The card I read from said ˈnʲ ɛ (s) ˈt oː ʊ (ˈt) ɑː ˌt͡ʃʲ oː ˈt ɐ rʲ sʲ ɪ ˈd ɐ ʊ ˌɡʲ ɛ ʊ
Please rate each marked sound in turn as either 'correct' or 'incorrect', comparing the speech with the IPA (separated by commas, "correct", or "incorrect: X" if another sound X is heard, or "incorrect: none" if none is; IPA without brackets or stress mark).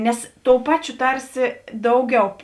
correct, incorrect: p